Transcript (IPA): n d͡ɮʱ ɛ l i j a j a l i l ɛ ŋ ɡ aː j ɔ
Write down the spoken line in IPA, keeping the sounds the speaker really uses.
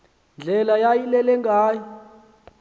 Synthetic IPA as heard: n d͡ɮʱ ɛ l a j a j i l ɛ l ɛ ŋ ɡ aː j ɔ